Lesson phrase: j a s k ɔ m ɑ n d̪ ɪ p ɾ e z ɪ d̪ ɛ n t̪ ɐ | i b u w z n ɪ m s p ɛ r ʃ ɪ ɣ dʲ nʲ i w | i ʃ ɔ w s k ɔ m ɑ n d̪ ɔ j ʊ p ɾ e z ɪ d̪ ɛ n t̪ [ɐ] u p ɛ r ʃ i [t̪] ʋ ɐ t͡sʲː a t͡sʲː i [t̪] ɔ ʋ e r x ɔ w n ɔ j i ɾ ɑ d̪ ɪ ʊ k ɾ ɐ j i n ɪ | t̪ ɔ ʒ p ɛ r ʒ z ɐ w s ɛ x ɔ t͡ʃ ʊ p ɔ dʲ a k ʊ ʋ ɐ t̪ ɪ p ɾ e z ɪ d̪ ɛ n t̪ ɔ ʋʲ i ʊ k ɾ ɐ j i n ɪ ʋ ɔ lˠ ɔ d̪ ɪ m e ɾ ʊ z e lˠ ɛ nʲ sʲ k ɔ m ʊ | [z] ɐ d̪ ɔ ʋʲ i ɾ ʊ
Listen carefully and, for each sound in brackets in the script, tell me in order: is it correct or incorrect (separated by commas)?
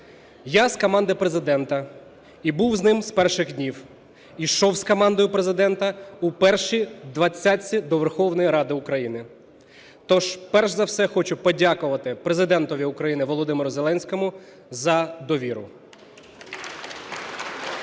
correct, incorrect, incorrect, correct